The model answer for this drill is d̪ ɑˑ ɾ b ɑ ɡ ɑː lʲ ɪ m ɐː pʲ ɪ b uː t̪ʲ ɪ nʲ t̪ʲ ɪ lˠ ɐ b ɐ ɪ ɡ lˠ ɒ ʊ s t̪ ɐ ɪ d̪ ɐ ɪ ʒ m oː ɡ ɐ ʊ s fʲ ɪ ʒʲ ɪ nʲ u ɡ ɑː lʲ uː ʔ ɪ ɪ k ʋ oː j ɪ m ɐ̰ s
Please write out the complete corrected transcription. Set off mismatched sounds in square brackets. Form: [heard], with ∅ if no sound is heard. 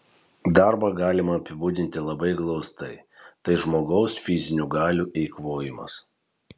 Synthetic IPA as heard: d̪ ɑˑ ɾ b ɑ ɡ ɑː lʲ ɪ m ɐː pʲ ɪ b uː [d̪ʲ] ɪ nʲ t̪ʲ ɪ lˠ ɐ b ɐ ɪ ɡ lˠ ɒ ʊ s t̪ ɐ ɪ [t̪] ɐ ɪ ʒ m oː ɡ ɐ ʊ s fʲ ɪ [zʲ] ɪ nʲ u ɡ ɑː lʲ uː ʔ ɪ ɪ k ʋ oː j ɪ m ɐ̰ s